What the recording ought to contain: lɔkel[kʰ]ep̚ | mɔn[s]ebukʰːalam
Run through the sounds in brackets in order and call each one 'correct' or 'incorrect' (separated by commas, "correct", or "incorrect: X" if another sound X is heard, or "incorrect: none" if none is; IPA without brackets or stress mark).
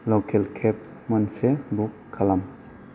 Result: correct, correct